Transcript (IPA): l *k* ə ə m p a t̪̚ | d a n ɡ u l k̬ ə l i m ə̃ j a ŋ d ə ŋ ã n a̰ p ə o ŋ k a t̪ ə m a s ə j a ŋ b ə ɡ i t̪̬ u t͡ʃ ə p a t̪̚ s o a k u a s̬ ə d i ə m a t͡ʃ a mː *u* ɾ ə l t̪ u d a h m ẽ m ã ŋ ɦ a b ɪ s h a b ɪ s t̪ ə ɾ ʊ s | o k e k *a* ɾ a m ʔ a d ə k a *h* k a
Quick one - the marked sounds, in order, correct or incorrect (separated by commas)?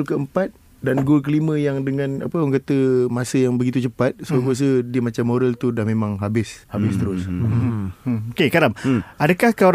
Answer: correct, incorrect, correct, correct